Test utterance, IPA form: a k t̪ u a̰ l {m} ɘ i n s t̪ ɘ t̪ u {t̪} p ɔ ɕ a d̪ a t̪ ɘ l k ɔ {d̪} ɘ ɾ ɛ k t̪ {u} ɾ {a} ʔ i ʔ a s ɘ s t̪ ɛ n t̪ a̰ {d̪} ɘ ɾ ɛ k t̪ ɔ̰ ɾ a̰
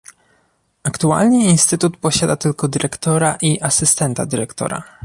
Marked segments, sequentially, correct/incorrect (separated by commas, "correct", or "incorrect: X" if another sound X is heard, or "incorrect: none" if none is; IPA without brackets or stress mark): incorrect: ɲ, correct, correct, incorrect: ɔ, correct, correct